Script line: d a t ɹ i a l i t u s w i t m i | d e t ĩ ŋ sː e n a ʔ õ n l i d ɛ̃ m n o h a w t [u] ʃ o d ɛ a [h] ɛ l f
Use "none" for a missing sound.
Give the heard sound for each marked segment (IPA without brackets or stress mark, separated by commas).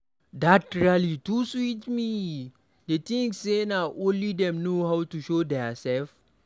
u, s